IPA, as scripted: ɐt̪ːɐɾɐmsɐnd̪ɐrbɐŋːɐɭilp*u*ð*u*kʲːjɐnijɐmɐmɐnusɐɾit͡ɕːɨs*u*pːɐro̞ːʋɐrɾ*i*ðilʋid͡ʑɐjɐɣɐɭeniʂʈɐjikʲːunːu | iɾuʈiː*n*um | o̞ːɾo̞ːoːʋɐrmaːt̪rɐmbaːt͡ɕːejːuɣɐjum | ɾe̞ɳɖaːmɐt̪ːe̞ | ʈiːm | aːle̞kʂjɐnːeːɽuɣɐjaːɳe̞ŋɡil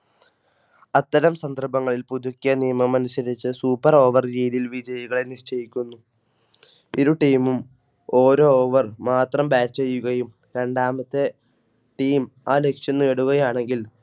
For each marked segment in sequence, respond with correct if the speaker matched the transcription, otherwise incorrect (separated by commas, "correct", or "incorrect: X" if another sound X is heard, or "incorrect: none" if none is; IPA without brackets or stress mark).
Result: correct, correct, incorrect: uː, incorrect: iː, incorrect: m